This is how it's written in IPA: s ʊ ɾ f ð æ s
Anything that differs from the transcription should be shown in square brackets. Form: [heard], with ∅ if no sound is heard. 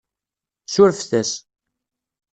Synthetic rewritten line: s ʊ ɾ f [θ] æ s

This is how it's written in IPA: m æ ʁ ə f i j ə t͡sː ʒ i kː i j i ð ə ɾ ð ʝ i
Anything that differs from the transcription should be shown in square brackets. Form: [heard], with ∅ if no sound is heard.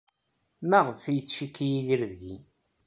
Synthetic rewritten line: m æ ʁ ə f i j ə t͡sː [ʃ] i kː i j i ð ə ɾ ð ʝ i

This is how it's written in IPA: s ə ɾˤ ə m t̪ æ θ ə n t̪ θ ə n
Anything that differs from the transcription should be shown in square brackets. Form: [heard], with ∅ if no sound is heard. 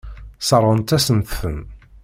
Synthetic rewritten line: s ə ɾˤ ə [n] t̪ æ [s] ə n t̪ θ ə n

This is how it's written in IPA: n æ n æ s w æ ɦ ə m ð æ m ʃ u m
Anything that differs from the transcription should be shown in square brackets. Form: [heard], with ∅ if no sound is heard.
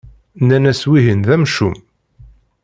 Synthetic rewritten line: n æ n æ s w [i] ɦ ə [n] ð æ m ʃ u m

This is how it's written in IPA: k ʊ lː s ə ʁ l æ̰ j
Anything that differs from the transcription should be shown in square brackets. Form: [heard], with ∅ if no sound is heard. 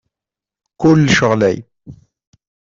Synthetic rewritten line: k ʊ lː [ʃ] ə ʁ l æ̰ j

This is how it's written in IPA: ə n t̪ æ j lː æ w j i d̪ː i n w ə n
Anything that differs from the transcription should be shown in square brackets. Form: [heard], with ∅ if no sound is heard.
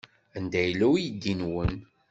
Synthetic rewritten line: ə n [d̪] æ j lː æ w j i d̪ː i n w ə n

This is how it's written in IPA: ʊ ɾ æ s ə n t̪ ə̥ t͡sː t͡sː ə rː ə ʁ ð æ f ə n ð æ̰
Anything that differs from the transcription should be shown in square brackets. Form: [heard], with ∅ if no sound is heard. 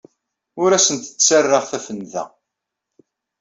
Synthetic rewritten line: ʊ ɾ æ s ə n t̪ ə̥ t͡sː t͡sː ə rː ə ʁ [θ] æ f ə n ð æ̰

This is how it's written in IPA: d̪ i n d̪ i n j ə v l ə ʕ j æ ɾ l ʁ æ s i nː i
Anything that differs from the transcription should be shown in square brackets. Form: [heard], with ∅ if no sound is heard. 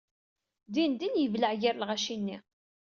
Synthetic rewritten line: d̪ i n d̪ i n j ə v l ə ʕ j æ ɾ l ʁ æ [ʃ] i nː i

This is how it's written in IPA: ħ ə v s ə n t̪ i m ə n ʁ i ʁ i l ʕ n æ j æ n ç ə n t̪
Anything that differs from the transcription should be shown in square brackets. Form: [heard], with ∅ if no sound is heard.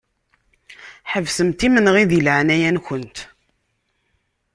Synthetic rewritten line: ħ ə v s ə [m] t̪ i m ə n ʁ i [ð] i l ʕ n æ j æ n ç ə n t̪

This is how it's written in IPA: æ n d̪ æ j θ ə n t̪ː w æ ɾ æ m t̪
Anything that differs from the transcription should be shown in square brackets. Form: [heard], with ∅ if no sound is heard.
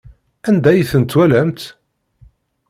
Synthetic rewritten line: æ n d̪ æ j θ ə n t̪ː w æ [l] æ m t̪

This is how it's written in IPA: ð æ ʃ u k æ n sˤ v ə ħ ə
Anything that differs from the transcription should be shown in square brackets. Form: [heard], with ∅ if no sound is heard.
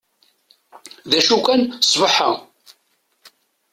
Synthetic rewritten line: ð æ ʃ u k æ n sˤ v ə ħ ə

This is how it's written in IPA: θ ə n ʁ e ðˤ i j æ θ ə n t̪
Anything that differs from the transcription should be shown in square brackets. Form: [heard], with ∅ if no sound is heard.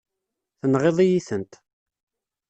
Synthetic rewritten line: θ ə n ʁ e ðˤ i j [i] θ ə n t̪

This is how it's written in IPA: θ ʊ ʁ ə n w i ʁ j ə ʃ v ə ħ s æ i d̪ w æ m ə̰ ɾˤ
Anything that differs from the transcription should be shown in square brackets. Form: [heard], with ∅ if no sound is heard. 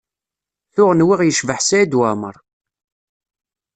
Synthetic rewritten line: θ ʊ ʁ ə n w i ʁ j ə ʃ v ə ħ s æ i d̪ w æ m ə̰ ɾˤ

